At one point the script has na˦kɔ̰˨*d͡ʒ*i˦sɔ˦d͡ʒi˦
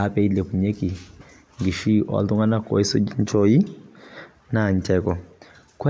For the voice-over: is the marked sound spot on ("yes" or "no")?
no